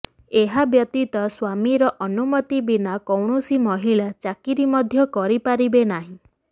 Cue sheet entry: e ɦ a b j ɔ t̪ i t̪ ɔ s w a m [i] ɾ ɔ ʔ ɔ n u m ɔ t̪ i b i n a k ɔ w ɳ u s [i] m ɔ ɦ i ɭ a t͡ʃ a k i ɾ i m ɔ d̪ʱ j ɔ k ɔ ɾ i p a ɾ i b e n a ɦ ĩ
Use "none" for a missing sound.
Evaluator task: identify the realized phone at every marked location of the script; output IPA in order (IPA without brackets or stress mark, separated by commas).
i, i